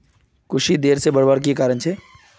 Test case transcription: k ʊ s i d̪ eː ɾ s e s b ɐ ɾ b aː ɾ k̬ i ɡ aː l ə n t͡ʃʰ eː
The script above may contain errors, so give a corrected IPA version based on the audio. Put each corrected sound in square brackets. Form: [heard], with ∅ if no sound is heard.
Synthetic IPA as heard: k ʊ [ʃ] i d̪ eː ɾ s e [∅] b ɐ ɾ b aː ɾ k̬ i [k] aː [ɾ] ə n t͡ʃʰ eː